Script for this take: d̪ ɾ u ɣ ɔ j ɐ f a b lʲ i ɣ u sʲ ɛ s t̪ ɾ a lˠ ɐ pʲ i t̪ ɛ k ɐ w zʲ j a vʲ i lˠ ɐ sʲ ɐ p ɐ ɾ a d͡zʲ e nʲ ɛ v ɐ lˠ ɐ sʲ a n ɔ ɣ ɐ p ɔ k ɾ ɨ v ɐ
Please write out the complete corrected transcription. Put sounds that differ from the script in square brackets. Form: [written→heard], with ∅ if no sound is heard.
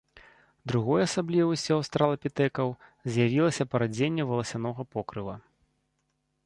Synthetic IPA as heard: d̪ ɾ u ɣ ɔ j ɐ [f→s] a b lʲ i [ɣ→v] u sʲ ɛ s t̪ ɾ a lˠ ɐ pʲ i t̪ ɛ k ɐ w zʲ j a vʲ i lˠ ɐ sʲ ɐ p ɐ ɾ a d͡zʲ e [nʲ→nʲː] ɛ v ɐ lˠ ɐ sʲ a n ɔ ɣ ɐ p ɔ k ɾ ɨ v ɐ